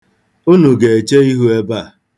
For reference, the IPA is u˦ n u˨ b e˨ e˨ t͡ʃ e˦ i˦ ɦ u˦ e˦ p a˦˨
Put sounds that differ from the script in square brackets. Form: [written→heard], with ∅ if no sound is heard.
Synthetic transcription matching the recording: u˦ n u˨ [b→ɡ] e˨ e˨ t͡ʃ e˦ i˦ ɦ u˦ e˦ [p→b] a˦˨